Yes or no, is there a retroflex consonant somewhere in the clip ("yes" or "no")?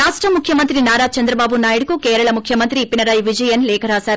yes